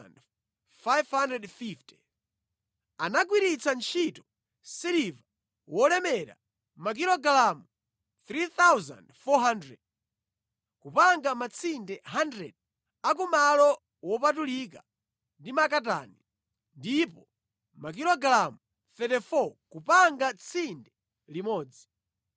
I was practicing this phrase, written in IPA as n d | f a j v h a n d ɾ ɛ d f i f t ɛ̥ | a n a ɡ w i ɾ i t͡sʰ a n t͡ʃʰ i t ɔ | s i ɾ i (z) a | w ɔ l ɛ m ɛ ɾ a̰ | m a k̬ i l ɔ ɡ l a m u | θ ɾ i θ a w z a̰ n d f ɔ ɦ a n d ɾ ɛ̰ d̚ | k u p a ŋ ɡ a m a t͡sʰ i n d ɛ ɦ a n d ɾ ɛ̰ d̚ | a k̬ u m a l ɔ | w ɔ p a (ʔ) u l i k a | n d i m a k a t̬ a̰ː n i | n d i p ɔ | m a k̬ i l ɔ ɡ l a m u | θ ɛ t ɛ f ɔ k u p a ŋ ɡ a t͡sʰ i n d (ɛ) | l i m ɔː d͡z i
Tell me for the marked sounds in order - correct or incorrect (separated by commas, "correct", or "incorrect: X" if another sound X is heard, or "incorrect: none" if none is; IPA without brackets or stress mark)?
incorrect: v, incorrect: t, correct